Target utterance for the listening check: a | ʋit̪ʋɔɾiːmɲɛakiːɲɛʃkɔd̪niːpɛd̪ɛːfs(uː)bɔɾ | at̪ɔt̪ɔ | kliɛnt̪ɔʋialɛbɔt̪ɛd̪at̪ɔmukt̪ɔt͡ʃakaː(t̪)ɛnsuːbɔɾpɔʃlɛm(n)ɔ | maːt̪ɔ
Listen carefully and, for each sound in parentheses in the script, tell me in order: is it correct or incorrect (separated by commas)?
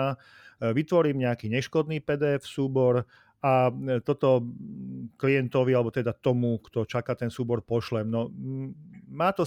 correct, correct, correct